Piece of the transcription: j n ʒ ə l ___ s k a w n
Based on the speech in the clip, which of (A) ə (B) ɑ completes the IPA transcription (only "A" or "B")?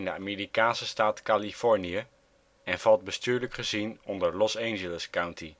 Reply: A